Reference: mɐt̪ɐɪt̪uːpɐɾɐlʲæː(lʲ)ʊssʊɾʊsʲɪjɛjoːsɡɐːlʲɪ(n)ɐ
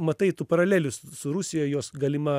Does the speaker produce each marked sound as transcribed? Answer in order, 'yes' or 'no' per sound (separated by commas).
yes, no